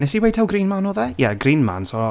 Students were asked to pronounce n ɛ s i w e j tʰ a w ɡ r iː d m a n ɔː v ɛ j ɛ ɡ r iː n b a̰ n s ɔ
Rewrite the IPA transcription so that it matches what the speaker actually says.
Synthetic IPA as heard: n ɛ s i w e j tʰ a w ɡ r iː n m a n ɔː ð ɛ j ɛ ɡ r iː n m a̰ n s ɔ